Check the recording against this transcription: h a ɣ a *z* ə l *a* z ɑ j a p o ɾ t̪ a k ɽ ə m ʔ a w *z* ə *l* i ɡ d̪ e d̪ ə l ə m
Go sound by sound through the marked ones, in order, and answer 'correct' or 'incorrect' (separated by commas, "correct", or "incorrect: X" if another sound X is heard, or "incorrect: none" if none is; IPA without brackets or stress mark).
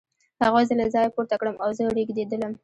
correct, correct, correct, incorrect: ɽ